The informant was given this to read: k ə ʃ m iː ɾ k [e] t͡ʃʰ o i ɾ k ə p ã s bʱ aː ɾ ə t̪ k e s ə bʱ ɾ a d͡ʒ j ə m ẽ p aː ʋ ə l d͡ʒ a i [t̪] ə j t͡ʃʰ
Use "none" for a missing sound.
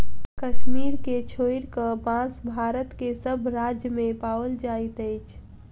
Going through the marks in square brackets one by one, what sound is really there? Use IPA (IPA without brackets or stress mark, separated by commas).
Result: e, t̪